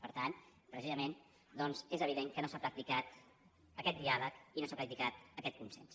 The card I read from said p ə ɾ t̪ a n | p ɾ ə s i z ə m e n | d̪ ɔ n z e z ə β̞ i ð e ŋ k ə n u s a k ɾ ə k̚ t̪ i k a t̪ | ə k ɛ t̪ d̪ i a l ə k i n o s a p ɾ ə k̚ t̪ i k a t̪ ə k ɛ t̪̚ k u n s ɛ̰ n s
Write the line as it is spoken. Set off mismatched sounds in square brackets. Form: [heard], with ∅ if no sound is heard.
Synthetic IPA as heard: p ə ɾ t̪ a n | p ɾ ə s i z ə m e n | d̪ ɔ n z e z ə β̞ i ð e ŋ k ə n [o] s a [p] ɾ ə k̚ t̪ i k a t̪ | ə k ɛ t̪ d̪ i a l ə k i n o s a p ɾ ə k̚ t̪ i k a t̪ ə k ɛ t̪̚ k u n s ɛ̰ n s